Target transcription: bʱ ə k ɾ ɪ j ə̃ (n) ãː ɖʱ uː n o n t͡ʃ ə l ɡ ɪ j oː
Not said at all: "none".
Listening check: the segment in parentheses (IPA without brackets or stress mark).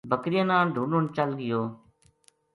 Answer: n